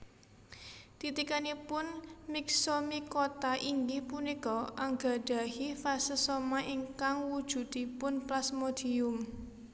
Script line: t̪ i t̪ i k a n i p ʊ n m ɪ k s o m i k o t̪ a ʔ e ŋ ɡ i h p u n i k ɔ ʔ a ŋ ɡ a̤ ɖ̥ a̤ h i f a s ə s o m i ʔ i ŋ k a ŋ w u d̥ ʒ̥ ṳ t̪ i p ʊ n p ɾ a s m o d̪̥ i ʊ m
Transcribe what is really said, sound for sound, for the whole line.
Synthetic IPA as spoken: t̪ i t̪ i k a n i p ʊ n m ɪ k s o m i k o t̪ a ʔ i ŋ ɡ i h p u n i k ɔ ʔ a ŋ ɡ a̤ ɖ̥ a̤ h i f a s ə s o m a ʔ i ŋ k a ŋ w u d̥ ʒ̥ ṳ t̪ i p ʊ n p l a s m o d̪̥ i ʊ m